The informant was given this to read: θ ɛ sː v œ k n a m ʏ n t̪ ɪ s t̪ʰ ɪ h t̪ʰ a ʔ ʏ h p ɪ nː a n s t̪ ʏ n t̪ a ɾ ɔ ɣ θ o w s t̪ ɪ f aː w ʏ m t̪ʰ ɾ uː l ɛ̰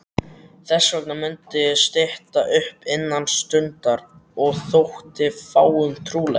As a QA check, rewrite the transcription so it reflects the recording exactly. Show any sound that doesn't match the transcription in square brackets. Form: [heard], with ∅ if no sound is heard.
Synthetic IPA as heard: θ ɛ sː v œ k n a m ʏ n t̪ ɪ s [t̪] ɪ h [t̪] a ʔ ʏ h p ɪ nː a n s t̪ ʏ n t̪ a ɾ ɔ ɣ θ o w [h] t̪ ɪ f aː w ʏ m t̪ʰ ɾ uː l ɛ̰